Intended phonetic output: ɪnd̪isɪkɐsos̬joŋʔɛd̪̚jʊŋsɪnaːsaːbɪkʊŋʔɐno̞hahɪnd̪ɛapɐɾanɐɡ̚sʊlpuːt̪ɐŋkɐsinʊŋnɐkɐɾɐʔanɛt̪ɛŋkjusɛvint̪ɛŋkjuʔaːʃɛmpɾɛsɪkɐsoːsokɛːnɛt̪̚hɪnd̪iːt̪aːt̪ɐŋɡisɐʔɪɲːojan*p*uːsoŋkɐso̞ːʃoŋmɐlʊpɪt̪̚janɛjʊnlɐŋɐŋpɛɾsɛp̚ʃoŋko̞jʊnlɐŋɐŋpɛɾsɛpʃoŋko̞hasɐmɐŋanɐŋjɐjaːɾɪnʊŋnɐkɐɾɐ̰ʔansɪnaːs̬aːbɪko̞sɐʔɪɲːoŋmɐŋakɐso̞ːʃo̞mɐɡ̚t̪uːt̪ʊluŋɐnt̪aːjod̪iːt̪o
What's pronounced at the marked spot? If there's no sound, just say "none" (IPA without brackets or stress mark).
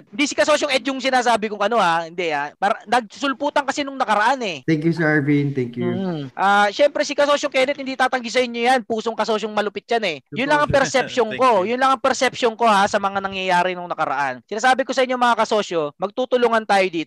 p